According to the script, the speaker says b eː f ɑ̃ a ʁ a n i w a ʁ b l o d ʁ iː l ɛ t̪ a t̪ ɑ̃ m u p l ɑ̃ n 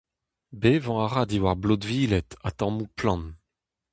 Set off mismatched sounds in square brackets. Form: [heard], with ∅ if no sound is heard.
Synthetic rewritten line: b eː [v] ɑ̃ a ʁ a [d] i w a ʁ b l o d [v] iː l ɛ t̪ a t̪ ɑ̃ m u p l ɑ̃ n

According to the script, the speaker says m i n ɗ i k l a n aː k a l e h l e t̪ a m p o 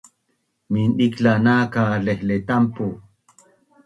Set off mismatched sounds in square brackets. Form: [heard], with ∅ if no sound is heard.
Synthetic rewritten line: m i n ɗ i k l a n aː k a l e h l e t̪ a m p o

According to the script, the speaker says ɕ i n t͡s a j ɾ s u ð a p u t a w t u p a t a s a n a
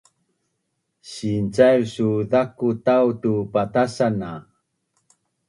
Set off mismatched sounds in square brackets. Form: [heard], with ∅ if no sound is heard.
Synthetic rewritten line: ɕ i n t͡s a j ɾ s u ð a [k] u t a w t u p a t a s a n a

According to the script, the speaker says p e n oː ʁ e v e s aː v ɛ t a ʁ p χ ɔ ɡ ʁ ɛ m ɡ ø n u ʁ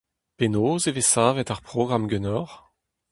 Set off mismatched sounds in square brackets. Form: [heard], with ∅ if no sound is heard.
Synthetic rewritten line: p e n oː [z] e v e s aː v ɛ t a ʁ p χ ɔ ɡ ʁ [a] m ɡ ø n [ɔ] ʁ

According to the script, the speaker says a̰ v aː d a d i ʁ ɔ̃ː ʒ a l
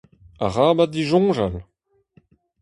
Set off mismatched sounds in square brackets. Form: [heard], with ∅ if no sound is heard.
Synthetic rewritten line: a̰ [ʁ] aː [b] a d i [ʒ] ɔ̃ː ʒ a l

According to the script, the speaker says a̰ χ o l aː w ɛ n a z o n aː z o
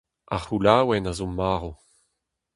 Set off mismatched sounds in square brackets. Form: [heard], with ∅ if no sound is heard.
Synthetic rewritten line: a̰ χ [u] l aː w ɛ n a z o [m] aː [ʁ] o

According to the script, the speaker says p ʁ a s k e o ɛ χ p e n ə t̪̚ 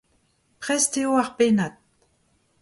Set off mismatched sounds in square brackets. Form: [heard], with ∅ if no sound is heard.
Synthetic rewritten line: p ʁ [ɛ] s [t] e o [a] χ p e n [a] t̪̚

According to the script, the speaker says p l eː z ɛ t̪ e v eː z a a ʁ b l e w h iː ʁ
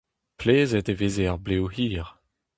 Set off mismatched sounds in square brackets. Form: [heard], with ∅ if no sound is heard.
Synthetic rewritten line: p l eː z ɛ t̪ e v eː z [e] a ʁ b l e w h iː ʁ

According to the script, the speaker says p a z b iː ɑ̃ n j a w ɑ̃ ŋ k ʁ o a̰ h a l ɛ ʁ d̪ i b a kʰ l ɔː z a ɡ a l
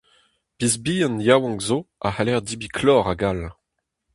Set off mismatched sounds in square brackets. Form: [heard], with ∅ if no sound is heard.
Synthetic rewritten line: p [i] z b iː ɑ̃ n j a w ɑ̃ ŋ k [z] o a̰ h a l ɛ ʁ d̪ i b [i] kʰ l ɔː [ʁ] a ɡ a l

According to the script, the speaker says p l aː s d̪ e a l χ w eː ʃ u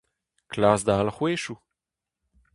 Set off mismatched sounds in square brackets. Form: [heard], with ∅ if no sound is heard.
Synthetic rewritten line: [k] l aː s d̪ [a] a l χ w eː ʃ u

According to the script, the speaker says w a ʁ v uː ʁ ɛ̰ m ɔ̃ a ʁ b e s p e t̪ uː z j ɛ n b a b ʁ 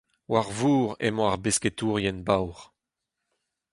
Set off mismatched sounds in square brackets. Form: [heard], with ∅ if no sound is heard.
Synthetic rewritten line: w a ʁ v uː ʁ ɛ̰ m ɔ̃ a ʁ b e s [k] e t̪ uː [ʁ] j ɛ n b a [w] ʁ

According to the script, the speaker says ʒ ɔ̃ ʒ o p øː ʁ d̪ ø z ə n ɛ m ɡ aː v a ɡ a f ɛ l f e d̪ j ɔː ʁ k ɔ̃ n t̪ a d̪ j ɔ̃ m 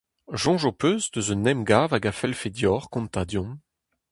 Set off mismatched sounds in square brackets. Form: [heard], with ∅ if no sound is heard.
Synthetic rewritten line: ʒ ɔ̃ ʒ o p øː [z] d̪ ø z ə n ɛ m ɡ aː v a ɡ a f ɛ l f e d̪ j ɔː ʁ k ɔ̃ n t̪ a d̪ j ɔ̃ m

